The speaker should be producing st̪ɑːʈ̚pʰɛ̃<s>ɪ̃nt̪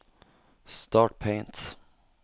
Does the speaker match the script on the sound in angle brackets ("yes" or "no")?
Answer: no